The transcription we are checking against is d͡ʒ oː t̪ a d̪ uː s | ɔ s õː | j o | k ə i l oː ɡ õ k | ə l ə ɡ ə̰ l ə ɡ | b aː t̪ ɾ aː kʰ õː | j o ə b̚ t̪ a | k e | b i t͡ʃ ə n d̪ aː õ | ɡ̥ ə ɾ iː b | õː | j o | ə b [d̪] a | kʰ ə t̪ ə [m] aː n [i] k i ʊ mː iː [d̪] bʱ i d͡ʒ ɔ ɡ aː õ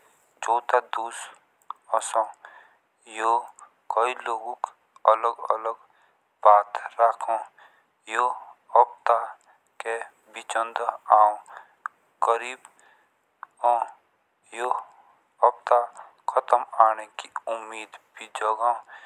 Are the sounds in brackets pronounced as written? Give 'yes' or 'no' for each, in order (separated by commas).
no, yes, no, yes